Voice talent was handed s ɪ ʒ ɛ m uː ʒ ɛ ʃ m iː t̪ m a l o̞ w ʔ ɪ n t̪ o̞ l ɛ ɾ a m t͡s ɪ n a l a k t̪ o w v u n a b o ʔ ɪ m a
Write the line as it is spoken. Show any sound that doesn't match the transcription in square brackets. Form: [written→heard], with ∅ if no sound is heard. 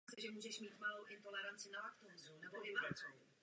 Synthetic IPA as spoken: s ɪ ʒ ɛ m uː ʒ ɛ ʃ m iː t̪ m a l o̞ w ʔ ɪ n t̪ o̞ l ɛ ɾ a [m→n] t͡s ɪ n a l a k t̪ o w [v→z] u n [a→ɛ] b o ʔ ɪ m a